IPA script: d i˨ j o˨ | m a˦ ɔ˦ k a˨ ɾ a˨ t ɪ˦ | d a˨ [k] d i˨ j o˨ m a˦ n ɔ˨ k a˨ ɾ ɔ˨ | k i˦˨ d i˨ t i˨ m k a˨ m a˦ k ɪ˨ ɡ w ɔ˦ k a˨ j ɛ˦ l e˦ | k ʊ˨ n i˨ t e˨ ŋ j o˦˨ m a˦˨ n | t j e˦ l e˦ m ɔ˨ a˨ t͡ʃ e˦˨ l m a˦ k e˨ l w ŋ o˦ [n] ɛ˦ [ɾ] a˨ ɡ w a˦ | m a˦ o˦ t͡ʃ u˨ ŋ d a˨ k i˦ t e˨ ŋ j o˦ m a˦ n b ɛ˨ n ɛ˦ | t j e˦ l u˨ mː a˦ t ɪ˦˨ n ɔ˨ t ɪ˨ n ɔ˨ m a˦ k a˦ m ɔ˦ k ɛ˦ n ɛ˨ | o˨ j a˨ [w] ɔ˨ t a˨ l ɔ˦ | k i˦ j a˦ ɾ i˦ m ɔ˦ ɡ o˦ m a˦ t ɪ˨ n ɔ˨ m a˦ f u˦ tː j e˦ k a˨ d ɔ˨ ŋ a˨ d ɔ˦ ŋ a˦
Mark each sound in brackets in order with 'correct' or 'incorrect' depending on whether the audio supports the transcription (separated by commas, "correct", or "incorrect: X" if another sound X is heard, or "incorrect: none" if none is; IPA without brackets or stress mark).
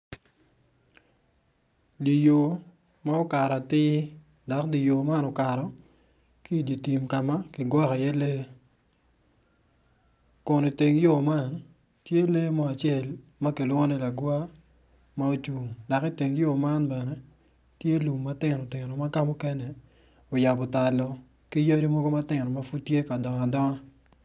correct, correct, incorrect: l, incorrect: b